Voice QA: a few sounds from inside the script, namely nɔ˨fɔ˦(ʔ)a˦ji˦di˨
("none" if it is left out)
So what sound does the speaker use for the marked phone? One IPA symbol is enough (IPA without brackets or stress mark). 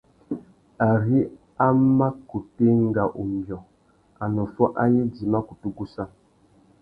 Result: ʔ